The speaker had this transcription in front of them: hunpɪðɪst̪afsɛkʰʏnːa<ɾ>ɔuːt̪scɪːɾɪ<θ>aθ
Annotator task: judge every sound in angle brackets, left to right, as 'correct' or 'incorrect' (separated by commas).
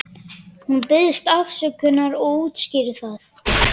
correct, correct